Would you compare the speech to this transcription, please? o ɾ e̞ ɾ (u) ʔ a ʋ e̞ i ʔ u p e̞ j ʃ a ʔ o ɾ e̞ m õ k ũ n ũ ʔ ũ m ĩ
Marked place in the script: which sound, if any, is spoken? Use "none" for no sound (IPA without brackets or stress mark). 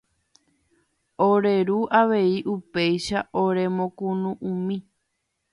u